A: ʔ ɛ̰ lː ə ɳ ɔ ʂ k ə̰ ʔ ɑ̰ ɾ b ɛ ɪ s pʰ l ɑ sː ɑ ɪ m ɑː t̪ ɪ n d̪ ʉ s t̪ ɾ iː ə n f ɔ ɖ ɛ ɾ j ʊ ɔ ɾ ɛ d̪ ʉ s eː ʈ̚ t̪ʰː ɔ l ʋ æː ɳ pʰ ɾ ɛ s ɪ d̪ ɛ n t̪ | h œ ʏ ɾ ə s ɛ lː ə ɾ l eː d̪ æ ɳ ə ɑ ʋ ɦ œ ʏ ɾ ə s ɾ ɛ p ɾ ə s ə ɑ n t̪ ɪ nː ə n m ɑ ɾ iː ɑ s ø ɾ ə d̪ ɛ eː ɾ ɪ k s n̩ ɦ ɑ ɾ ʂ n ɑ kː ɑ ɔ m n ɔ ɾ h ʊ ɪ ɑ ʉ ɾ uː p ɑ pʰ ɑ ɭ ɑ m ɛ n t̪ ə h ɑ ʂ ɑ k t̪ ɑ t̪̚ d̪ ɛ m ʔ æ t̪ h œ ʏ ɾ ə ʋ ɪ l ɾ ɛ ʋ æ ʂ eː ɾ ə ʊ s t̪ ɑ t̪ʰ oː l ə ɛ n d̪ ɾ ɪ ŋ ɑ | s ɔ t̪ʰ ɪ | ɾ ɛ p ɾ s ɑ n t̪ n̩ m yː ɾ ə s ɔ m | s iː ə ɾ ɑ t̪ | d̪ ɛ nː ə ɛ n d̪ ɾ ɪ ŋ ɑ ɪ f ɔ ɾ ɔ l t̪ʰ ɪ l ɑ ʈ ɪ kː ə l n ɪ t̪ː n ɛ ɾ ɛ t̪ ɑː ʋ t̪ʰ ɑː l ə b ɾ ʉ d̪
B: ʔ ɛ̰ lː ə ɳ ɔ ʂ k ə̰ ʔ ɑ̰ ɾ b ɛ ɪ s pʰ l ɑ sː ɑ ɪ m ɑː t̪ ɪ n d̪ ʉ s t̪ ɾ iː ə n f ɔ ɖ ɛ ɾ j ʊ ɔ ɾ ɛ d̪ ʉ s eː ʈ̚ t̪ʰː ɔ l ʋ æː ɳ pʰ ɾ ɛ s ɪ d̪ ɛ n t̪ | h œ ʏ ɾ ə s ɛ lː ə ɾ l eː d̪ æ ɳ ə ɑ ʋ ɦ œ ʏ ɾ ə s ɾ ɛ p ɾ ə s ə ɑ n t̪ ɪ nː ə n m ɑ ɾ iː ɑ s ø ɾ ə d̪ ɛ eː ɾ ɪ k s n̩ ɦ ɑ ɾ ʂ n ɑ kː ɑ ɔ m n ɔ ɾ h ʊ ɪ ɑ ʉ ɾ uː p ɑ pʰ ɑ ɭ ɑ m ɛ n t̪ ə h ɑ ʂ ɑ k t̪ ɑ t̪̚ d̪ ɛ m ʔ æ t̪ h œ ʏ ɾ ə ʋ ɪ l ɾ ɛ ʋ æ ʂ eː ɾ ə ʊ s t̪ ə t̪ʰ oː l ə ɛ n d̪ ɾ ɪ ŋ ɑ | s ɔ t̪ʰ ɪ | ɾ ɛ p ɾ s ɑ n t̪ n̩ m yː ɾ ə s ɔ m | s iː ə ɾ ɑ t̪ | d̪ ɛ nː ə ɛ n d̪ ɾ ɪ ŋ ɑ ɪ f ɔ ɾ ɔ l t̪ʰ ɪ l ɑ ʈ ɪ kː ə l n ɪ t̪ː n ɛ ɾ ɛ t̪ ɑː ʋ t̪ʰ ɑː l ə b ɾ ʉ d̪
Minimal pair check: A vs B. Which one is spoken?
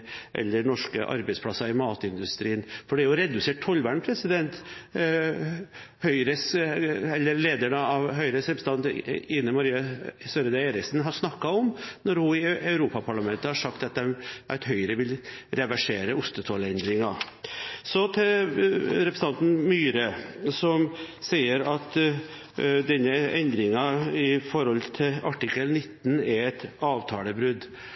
B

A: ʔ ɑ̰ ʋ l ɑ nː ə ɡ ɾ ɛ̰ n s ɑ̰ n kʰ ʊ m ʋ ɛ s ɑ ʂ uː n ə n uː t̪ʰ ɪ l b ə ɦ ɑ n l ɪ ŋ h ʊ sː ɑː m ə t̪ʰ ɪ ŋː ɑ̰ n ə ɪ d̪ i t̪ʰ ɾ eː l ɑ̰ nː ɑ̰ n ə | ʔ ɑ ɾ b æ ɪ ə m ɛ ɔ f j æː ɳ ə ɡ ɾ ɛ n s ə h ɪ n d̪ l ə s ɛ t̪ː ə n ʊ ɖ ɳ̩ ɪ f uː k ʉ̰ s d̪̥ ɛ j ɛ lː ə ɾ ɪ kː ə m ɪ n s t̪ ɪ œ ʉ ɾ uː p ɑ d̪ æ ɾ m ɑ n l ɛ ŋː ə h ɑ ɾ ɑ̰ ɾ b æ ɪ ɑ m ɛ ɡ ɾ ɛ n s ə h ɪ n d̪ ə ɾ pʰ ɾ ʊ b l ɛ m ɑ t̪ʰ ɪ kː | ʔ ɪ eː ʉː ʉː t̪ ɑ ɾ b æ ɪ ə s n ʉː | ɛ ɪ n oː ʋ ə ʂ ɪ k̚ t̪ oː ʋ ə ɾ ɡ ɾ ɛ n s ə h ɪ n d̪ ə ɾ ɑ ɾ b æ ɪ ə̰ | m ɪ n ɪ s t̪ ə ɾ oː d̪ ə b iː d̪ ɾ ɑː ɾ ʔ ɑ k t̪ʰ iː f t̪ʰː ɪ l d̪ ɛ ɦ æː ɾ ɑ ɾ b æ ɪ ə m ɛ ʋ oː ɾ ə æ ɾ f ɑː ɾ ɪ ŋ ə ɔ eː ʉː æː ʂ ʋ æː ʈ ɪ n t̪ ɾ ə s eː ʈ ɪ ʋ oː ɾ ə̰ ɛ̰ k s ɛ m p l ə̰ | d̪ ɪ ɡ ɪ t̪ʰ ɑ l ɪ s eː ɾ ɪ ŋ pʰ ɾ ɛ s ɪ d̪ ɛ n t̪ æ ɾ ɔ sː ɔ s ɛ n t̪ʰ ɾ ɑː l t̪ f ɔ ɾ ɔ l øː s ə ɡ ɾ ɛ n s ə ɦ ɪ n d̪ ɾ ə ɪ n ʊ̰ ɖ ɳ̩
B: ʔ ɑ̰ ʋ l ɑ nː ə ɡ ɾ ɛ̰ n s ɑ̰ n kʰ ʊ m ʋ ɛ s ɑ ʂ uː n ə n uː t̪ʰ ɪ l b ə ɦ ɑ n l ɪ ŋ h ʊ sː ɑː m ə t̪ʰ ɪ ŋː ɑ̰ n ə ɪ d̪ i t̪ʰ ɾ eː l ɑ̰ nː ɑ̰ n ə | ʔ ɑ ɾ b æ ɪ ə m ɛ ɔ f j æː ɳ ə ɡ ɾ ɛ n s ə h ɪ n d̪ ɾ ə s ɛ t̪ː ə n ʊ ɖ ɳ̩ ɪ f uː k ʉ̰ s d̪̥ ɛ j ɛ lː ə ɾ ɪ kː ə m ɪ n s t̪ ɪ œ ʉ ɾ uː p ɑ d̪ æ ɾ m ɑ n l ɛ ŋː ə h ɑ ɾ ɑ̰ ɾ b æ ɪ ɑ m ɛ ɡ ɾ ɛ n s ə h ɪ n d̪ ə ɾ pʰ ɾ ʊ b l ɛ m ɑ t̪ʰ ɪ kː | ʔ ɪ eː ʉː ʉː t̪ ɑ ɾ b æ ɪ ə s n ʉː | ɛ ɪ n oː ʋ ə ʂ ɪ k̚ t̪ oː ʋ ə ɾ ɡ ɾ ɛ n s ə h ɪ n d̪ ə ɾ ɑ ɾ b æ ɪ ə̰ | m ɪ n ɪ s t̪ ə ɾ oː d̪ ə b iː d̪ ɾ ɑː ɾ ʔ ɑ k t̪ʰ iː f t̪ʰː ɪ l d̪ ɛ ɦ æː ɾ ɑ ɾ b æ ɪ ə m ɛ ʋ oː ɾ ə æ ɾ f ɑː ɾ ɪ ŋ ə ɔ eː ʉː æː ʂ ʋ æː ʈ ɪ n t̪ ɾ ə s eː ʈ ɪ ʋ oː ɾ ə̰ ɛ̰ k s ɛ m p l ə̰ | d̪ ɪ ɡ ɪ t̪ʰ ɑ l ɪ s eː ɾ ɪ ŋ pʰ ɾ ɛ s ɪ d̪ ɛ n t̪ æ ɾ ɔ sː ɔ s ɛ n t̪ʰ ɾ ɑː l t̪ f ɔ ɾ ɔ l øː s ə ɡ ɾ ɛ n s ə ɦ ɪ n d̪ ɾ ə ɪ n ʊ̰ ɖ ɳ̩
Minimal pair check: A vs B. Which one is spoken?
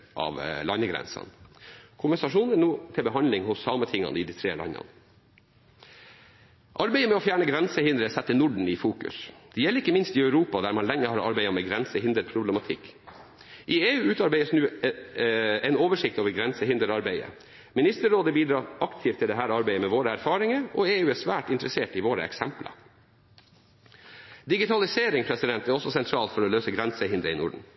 B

